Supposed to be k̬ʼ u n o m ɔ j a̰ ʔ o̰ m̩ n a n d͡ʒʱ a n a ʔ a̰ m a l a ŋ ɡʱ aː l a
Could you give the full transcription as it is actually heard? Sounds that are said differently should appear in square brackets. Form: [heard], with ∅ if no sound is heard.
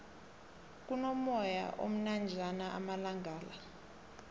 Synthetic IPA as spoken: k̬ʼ u n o m ɔ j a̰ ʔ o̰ m̩ n a n d͡ʒʱ a n a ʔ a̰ m a l a ŋ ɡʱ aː l a